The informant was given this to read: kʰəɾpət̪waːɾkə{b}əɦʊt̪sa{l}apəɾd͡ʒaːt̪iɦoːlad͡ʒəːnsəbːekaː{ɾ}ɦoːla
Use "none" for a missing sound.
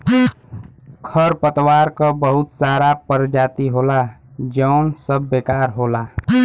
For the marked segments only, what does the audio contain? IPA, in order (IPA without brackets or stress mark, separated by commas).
b, ɾ, ɾ